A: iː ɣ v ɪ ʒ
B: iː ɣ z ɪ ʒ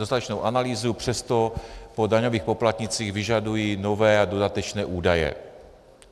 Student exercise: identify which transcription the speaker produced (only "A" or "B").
A